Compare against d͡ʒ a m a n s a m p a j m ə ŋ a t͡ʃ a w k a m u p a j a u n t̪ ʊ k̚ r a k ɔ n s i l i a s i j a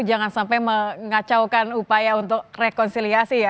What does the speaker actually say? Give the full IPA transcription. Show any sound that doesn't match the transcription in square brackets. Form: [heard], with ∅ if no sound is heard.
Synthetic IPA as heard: d͡ʒ a [ŋ] a n s a m p a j m ə ŋ a t͡ʃ a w k a [n] u p a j a u n t̪ ʊ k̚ r [e] k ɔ n s i l i a s i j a